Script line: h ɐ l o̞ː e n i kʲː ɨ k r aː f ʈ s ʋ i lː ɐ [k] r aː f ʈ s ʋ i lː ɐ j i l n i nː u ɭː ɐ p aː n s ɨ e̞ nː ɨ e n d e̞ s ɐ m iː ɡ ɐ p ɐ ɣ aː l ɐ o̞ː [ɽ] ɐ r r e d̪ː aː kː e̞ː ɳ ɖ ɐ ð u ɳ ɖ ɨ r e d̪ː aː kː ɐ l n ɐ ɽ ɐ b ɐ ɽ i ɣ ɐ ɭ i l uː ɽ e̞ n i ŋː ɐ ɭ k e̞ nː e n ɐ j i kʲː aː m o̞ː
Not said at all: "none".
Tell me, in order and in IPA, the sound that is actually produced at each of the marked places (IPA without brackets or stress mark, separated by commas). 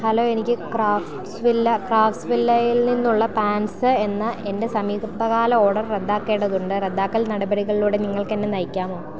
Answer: k, ɽ